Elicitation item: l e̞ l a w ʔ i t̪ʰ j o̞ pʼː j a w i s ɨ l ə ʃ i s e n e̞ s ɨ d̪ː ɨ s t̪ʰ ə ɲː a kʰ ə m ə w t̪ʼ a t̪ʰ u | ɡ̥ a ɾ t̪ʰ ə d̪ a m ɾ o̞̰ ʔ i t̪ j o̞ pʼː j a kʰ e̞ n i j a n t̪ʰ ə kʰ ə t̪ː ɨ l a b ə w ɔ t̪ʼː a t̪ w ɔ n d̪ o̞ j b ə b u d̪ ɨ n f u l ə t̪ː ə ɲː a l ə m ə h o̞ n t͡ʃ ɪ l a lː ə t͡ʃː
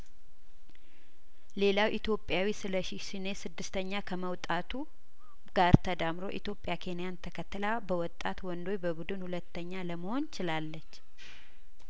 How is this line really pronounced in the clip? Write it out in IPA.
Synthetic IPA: l e̞ l a w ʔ i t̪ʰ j o̞ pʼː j a w i s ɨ l ə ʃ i s i n e̞ s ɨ d̪ː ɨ s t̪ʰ ə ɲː a kʰ ə m ə w t̪ʼ a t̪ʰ u | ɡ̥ a ɾ t̪ʰ ə d̪ a m ɾ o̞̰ ʔ i t̪ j o̞ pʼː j a kʰ e̞ n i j a n t̪ʰ ə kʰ ə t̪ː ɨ l a b ə w ɔ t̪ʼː a t̪ w ɔ n d̪ o̞ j b ə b u d̪ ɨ n h u l ə t̪ː ə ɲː a l ə m ə h o̞ n t͡ʃ ɪ l a lː ə t͡ʃː